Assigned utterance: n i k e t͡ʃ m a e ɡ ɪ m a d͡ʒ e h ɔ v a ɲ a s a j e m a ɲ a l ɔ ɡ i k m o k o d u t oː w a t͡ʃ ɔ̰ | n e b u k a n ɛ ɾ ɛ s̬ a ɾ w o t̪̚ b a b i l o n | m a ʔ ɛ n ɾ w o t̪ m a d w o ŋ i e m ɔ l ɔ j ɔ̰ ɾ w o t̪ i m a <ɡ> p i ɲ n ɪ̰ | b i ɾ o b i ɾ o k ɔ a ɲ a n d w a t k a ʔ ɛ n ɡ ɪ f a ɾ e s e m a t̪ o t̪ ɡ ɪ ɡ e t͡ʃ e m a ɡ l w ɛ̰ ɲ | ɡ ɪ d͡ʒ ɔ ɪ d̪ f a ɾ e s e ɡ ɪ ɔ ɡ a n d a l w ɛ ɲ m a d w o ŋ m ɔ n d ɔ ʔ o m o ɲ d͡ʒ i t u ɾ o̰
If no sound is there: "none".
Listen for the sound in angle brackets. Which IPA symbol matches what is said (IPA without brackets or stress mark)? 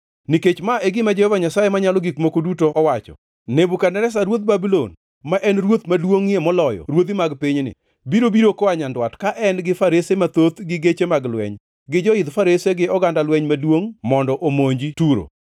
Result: ɡ